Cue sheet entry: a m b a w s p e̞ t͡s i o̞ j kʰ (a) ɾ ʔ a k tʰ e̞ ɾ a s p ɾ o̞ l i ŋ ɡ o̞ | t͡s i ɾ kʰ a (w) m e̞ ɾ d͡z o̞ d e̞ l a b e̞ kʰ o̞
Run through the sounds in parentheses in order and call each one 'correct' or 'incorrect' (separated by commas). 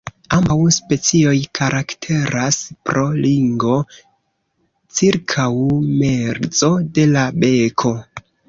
correct, correct